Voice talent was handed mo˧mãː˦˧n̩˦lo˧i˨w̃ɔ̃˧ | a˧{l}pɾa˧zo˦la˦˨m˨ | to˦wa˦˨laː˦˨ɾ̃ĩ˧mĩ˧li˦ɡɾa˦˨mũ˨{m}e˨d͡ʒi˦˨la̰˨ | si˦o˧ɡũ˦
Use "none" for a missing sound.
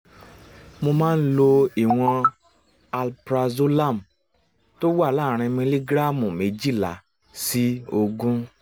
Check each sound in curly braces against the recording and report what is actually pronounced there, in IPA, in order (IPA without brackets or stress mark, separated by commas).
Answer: l, m